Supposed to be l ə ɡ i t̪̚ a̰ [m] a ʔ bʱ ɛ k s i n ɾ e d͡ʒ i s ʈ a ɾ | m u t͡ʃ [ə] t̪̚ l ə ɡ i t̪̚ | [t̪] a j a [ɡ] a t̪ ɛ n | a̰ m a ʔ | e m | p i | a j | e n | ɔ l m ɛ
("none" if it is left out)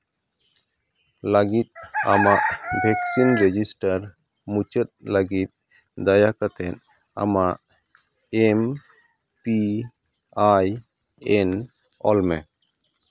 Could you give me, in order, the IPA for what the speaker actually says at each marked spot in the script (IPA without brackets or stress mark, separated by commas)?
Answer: m, ə, d̪, k